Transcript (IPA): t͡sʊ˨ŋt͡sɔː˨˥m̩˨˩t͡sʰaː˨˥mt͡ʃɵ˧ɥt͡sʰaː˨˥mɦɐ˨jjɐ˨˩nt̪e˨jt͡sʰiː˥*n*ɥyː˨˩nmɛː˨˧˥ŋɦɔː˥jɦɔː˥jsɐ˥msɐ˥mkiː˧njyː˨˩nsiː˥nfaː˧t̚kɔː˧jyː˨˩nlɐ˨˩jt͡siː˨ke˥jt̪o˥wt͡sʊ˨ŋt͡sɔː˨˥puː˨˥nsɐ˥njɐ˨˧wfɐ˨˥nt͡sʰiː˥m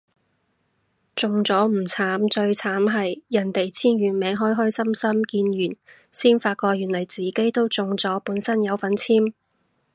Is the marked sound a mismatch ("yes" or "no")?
no